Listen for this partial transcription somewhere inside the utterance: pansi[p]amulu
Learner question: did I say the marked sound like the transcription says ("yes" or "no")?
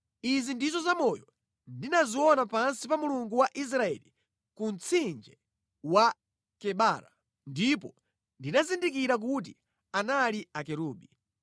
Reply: yes